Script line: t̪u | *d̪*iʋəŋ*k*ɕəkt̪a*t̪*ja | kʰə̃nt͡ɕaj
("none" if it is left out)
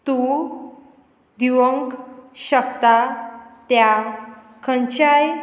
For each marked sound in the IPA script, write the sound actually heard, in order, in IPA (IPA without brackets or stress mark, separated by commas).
d̪, k, t̪